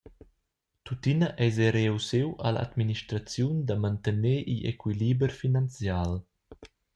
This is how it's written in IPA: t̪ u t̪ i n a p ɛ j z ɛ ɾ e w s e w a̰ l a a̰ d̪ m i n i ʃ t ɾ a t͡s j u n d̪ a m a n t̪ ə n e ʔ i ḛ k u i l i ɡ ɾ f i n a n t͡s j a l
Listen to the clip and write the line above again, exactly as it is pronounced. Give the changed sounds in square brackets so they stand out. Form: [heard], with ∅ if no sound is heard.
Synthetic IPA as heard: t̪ u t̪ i n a [ʔ] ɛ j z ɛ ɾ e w s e w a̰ l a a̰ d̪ m i n i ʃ t ɾ a t͡s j u n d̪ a m a n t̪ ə n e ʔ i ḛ k [w] i l i [b] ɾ f i n a n t͡s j a l